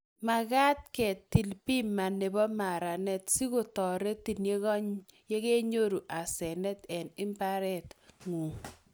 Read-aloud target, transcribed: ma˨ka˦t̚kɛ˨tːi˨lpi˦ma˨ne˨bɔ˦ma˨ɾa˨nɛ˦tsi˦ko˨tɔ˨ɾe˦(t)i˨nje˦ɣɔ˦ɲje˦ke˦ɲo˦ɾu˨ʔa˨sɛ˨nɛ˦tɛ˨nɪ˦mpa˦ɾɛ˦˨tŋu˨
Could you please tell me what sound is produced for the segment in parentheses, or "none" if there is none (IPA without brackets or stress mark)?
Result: t